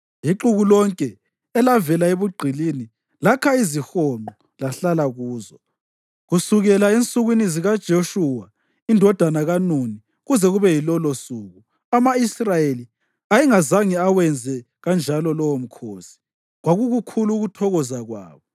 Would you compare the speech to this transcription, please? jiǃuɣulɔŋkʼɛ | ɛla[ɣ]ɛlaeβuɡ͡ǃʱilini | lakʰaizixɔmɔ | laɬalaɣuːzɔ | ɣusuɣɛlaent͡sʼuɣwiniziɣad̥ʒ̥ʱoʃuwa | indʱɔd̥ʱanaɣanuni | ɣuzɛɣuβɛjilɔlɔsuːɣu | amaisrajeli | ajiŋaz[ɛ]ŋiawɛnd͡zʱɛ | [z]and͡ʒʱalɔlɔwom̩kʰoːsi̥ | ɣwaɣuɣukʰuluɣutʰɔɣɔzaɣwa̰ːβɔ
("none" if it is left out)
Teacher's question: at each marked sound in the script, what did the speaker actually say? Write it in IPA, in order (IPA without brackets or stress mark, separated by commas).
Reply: v, a, ɣ